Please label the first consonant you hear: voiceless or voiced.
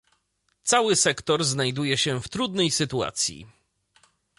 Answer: voiceless